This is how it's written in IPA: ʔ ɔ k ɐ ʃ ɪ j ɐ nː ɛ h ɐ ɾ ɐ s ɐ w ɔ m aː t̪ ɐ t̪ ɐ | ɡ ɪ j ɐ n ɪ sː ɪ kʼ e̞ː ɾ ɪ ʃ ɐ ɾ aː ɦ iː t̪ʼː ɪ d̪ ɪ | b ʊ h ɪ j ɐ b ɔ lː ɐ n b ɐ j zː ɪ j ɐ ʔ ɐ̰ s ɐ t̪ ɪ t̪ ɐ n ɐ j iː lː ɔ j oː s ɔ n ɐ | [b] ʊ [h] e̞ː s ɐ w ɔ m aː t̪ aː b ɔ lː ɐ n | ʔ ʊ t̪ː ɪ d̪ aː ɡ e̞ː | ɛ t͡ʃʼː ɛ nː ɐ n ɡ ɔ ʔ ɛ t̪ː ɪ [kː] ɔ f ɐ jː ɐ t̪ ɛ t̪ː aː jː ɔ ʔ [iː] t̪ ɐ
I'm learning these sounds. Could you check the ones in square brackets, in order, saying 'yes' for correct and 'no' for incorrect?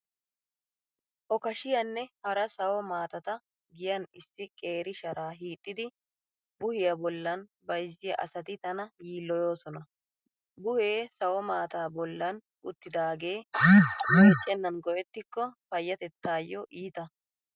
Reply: yes, yes, yes, yes

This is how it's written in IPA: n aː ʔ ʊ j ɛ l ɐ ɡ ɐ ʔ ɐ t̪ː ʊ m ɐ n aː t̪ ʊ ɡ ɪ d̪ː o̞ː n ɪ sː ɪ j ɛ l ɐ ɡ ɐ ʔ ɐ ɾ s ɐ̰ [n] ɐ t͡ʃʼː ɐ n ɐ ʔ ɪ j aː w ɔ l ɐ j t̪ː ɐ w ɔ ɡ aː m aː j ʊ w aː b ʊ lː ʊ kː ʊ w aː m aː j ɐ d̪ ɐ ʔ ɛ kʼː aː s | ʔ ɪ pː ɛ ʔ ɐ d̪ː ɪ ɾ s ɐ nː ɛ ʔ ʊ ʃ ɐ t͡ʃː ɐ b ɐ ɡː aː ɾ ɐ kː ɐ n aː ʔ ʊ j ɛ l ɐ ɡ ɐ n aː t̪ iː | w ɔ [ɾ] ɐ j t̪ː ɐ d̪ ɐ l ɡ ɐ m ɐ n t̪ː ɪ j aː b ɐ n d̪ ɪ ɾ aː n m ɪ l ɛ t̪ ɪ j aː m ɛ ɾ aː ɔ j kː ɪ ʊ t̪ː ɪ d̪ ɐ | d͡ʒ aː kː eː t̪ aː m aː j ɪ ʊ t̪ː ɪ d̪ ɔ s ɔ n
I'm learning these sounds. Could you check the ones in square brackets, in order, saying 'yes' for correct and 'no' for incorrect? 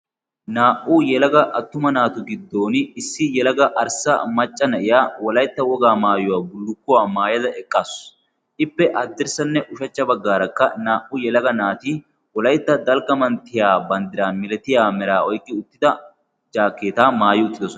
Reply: no, no

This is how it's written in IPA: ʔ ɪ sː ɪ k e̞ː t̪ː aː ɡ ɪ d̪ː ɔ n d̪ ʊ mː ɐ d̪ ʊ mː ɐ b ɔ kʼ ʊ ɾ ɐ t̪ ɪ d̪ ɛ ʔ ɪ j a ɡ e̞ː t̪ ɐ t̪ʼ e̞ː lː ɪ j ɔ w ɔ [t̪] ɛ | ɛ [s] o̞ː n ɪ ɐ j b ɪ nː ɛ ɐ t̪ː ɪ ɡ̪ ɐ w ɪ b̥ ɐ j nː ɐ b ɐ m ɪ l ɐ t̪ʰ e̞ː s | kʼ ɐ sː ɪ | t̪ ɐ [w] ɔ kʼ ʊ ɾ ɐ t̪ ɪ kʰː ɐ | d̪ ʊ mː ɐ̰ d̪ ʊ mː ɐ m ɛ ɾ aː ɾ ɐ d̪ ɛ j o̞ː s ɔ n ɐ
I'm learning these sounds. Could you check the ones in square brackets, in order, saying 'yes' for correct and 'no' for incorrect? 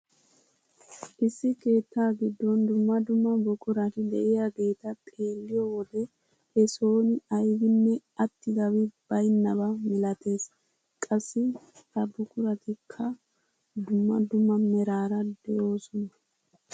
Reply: no, yes, no

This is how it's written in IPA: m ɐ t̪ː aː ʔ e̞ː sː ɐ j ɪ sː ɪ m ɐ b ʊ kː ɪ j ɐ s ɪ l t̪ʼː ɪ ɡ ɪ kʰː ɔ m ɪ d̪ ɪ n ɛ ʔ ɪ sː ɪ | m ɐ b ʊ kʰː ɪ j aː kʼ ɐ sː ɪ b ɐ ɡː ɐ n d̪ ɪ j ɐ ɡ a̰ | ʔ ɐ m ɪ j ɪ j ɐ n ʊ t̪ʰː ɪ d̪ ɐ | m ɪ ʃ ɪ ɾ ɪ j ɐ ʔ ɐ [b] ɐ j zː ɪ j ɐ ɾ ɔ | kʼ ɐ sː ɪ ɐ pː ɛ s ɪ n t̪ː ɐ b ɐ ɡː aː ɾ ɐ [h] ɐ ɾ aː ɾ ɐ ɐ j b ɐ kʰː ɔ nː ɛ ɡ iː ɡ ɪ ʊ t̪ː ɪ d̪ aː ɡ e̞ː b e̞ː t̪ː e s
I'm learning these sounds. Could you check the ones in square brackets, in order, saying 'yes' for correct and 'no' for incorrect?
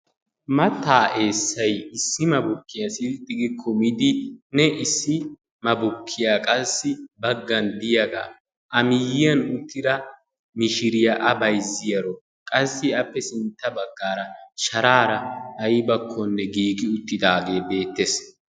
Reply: yes, no

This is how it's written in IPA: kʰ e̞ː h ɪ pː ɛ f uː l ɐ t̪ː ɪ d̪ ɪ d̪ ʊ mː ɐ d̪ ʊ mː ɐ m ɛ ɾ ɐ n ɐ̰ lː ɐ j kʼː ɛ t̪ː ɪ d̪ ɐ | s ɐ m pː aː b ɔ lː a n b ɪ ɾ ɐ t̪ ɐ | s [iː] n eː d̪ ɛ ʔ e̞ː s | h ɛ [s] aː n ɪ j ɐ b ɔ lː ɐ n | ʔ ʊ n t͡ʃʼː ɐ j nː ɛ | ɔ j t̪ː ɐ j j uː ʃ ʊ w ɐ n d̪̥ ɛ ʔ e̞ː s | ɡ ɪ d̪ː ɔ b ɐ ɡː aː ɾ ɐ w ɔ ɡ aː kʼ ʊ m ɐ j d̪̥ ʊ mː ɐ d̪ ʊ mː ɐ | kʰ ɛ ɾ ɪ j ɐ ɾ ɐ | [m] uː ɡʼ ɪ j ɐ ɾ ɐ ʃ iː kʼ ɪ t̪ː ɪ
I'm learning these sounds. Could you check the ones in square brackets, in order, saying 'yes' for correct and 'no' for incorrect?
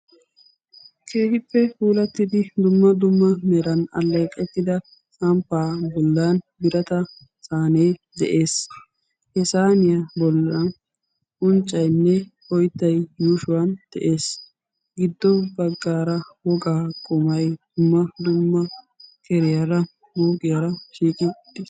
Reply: no, yes, no

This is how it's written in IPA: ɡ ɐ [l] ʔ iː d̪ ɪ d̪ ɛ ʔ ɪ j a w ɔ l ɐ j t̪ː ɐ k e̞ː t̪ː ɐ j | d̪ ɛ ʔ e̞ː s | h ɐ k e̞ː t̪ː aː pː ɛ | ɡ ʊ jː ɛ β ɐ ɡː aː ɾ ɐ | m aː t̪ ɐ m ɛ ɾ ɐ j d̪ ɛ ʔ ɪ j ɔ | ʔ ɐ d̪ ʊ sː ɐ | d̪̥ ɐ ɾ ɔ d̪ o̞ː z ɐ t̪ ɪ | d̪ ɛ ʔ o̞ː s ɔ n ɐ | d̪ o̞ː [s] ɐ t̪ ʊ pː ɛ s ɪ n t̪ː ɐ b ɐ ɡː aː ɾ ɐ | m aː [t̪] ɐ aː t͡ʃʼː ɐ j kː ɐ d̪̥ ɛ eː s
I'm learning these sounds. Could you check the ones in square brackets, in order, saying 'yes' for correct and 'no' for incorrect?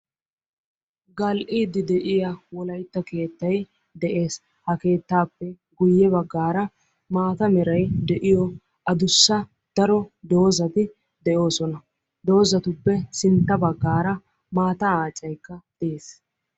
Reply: yes, no, yes

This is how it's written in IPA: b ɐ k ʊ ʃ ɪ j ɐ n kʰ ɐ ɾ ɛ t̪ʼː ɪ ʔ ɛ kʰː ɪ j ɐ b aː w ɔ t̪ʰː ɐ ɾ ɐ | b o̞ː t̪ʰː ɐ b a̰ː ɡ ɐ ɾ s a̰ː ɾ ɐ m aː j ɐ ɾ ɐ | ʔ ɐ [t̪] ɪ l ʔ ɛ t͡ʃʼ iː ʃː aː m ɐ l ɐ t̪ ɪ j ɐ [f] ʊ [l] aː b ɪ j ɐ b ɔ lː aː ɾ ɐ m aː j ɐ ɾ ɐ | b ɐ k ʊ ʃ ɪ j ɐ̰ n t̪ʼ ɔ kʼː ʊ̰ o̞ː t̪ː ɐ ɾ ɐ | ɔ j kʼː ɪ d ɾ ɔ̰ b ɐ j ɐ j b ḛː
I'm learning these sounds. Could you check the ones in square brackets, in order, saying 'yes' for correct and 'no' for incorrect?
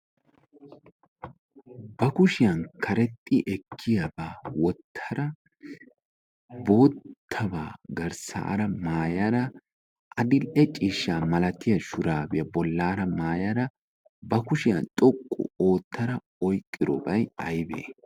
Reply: no, no, no

